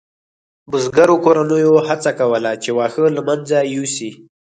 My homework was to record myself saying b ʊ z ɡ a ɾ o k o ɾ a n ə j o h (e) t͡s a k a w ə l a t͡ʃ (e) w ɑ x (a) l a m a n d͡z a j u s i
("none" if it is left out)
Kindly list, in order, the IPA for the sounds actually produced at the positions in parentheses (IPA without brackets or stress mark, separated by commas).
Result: a, e, ə